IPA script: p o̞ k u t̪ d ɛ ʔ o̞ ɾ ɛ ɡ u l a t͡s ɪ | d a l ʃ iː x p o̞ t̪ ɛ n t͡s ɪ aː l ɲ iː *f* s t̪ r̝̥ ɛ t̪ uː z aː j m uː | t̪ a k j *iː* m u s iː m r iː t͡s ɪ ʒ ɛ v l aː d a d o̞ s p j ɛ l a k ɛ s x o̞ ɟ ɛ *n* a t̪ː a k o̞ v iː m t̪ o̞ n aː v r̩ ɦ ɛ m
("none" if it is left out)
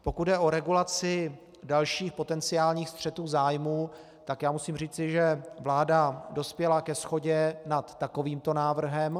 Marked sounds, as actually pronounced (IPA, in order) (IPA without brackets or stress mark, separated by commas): x, aː, n